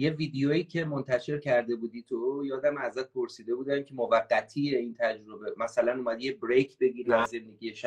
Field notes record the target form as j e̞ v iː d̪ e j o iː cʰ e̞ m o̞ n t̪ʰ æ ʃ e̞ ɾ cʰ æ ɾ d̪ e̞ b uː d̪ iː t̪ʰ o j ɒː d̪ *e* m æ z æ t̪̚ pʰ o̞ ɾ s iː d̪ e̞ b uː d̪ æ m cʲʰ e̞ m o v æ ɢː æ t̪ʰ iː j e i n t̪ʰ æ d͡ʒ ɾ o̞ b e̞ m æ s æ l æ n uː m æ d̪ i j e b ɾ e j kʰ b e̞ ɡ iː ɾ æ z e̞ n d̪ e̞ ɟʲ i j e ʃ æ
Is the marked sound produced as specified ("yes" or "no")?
no